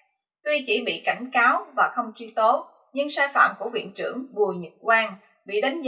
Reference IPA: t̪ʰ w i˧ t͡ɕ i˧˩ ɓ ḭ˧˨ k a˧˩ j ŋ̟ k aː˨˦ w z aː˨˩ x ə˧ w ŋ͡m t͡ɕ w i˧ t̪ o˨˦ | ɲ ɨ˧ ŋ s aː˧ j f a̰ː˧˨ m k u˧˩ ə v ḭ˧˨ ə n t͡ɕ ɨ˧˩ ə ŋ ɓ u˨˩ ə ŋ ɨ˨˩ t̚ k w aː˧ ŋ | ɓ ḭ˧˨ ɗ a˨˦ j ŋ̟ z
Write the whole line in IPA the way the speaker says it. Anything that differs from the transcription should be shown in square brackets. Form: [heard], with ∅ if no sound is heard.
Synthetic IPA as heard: [t̪] w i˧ t͡ɕ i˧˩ ɓ ḭ˧˨ k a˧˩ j ŋ̟ k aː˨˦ w [v] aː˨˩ x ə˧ w ŋ͡m t͡ɕ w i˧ t̪ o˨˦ | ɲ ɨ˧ ŋ s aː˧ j f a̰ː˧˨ m k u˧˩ ə v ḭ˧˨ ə n t͡ɕ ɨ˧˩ ə ŋ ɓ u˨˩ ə [ɲ] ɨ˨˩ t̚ k w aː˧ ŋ | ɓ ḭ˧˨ ɗ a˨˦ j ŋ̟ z